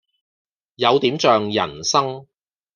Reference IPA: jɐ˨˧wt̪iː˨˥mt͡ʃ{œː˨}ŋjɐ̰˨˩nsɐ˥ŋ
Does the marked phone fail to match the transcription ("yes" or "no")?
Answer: no